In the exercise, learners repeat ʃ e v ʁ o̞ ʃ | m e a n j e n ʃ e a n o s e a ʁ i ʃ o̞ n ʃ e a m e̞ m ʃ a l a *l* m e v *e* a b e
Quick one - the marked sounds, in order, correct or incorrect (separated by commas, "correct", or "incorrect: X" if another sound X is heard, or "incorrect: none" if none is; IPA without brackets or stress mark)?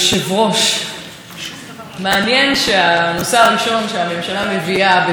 incorrect: none, incorrect: i